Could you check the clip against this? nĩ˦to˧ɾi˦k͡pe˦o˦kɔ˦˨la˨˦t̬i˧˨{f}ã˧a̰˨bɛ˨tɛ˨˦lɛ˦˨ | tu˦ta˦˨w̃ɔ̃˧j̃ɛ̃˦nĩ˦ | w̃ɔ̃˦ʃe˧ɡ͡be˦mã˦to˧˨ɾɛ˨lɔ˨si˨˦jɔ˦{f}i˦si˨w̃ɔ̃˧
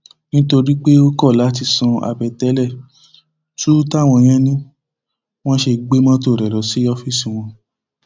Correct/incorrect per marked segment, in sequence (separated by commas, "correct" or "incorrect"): incorrect, correct